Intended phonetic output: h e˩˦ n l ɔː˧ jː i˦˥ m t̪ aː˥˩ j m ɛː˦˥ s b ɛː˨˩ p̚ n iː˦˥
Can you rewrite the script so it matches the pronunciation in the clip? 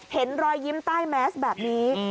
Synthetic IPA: h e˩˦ n ɾ ɔː˧ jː i˦˥ m t̪ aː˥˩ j m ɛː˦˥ s b ɛː˨˩ p̚ n iː˦˥